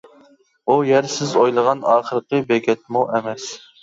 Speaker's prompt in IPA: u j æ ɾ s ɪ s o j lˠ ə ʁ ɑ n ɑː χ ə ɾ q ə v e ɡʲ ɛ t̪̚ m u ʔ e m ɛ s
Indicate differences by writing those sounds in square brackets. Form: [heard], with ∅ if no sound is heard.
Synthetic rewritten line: u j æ ɾ s ɪ [z] o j lˠ ə ʁ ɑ n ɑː χ ə ɾ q ə [b] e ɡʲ ɛ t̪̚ m u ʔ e m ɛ s

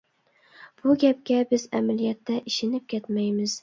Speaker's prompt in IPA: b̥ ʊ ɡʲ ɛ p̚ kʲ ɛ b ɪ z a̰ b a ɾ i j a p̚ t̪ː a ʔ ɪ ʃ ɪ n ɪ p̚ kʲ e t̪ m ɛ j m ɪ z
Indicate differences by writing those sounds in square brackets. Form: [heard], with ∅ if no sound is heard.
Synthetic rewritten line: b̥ ʊ ɡʲ [a] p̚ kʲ [a] b ɪ z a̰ [m] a [l] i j a [∅] t̪ː a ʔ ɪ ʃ ɪ n ɪ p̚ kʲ e t̪ m [a] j m ɪ z

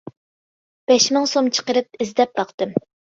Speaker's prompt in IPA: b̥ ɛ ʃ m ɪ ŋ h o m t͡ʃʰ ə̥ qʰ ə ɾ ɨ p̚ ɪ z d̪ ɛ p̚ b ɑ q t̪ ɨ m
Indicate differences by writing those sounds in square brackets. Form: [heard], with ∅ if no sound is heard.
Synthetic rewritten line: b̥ ɛ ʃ m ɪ ŋ [s] o m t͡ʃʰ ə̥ [q] ə ɾ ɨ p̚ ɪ z d̪ ɛ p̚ b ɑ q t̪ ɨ m

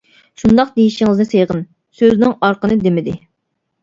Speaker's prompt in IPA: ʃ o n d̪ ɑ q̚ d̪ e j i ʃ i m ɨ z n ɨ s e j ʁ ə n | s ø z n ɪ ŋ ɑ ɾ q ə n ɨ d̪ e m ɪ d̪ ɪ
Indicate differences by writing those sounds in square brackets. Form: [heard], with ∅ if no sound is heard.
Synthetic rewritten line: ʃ [u] n d̪ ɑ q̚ d̪ e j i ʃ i [ŋ] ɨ z n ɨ s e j ʁ ə n | s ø z n ɪ ŋ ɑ ɾ q ə n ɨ d̪ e m ɪ d̪ ɪ

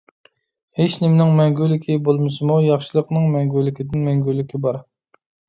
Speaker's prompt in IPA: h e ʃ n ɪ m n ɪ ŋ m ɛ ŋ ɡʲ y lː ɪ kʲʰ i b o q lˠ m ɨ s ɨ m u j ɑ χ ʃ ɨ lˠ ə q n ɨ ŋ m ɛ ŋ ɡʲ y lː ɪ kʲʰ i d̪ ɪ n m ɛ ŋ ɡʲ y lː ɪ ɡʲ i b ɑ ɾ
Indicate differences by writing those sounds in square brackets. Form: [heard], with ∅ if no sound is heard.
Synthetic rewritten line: h e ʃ n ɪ m n ɪ ŋ m ɛ ŋ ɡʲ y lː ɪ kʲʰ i b o [∅] lˠ m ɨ s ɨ m u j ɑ χ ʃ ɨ lˠ ə q n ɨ ŋ m ɛ ŋ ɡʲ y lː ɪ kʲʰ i d̪ ɪ n m ɛ ŋ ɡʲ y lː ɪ [kʲ] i b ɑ ɾ

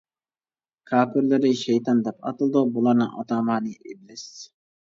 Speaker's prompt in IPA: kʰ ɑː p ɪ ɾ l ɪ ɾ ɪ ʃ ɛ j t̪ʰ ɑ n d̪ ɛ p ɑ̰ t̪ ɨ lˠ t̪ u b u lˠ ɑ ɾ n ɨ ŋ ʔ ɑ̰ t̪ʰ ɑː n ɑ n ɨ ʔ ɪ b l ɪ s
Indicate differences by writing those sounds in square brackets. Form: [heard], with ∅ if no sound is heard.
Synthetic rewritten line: kʰ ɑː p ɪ ɾ l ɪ ɾ ɪ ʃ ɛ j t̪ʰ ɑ n d̪ ɛ p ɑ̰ t̪ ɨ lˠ [d̪] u b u lˠ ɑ ɾ n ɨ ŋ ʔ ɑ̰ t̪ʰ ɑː [m] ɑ n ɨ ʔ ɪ b l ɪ s

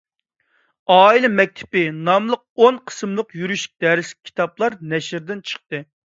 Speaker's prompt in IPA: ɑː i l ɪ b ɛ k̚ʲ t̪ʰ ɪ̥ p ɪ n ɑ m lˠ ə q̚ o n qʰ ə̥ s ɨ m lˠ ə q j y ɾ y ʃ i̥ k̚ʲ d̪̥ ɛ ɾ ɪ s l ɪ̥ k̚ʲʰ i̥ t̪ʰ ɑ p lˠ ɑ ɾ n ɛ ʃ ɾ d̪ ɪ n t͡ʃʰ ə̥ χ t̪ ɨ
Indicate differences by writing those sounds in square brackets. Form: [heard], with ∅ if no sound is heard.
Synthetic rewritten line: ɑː i l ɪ [m] ɛ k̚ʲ t̪ʰ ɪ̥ p ɪ n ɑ m lˠ ə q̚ o n qʰ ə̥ s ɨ m lˠ ə q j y ɾ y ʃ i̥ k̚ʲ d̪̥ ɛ ɾ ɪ s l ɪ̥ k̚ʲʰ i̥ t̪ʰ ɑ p lˠ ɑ ɾ n ɛ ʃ ɾ d̪ ɪ n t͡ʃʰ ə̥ χ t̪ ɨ

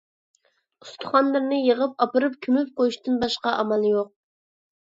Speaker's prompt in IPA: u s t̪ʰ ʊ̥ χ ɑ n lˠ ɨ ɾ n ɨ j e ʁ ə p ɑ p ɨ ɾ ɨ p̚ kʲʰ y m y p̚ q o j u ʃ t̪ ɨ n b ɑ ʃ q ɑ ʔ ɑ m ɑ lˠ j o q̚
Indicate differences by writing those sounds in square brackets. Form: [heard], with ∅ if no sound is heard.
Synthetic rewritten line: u s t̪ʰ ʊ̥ χ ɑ n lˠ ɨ ɾ n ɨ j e ʁ ə p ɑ p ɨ ɾ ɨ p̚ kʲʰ y m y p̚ q o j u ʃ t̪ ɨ n b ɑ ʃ q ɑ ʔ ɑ m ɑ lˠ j o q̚

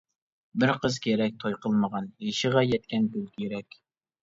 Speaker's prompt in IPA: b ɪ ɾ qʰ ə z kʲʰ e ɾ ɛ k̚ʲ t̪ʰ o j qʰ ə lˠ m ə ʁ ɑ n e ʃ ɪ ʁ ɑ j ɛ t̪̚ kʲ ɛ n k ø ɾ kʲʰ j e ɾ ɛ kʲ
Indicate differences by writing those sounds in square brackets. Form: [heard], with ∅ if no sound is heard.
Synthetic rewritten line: b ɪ ɾ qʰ ə z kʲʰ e ɾ ɛ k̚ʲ t̪ʰ o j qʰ ə lˠ m ə ʁ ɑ n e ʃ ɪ ʁ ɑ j ɛ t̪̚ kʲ ɛ n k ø [l] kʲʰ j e ɾ ɛ kʲ

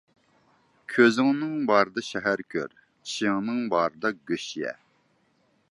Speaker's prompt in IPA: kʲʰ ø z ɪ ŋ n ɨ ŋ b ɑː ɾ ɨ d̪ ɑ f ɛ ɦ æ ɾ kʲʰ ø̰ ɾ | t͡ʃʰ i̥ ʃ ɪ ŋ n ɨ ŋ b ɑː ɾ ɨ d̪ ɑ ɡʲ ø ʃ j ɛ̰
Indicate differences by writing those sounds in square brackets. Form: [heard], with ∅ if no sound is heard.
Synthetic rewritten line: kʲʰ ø z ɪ ŋ n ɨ ŋ b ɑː ɾ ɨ d̪ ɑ [ʃ] ɛ ɦ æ ɾ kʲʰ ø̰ ɾ | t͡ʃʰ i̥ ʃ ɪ ŋ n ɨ ŋ b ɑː ɾ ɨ d̪ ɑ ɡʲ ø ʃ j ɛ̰

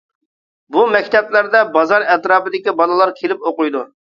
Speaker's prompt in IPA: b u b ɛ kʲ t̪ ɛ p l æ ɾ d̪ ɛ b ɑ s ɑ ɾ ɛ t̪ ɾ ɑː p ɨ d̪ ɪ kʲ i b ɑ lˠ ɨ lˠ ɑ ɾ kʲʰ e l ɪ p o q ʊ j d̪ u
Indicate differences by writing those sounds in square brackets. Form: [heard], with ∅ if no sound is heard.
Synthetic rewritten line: b u [m] ɛ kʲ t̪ ɛ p l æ ɾ d̪ ɛ b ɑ [z] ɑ ɾ ɛ t̪ ɾ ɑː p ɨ d̪ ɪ kʲ i b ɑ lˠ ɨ lˠ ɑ ɾ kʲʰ e l ɪ p o q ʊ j d̪ u

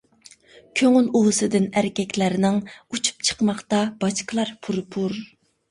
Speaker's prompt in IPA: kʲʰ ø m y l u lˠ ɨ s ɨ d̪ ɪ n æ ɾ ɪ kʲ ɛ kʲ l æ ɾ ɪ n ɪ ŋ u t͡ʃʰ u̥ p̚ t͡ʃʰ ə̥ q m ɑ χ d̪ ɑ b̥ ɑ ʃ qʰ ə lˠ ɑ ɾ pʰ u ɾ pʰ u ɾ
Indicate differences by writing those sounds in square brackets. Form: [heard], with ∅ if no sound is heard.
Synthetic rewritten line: kʲʰ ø [ŋ] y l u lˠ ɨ s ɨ d̪ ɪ n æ ɾ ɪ kʲ ɛ kʲ l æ ɾ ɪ n ɪ ŋ u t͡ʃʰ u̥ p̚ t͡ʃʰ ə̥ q m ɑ χ [t̪] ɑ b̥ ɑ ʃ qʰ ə lˠ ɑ ɾ pʰ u ɾ pʰ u ɾ

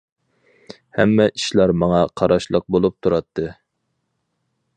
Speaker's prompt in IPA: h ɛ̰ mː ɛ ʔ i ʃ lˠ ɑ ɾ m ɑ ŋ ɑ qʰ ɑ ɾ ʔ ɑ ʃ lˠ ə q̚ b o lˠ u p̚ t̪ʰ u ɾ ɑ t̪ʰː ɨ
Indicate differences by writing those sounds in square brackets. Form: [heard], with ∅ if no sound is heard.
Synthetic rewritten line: h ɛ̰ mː ɛ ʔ i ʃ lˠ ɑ ɾ m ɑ ŋ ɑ qʰ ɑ ɾ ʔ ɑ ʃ lˠ ə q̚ b o lˠ u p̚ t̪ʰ u ɾ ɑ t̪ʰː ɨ

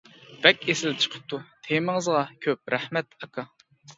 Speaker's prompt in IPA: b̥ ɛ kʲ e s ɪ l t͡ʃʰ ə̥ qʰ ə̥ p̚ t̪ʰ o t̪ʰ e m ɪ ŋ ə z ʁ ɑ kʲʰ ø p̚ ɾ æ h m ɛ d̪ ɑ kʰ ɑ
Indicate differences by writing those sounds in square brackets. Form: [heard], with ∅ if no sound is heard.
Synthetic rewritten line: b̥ ɛ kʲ e s ɪ l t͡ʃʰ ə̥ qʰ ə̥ p̚ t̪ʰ [u] t̪ʰ e m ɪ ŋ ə z ʁ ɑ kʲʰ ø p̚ ɾ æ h m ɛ [t̪] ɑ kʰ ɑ

